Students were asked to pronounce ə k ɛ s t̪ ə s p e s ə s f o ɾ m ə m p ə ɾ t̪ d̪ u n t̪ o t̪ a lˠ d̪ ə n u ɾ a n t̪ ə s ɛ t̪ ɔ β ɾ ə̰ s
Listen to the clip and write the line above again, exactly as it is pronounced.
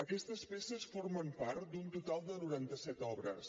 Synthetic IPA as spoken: ə k ɛ s t̪ ə s p e s ə s f o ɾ m ə m p a ɾ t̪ d̪ u n t̪ u t̪ a lˠ d̪ ə n u ɾ a n t̪ ə s ɛ t̪ ɔ β ɾ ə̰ s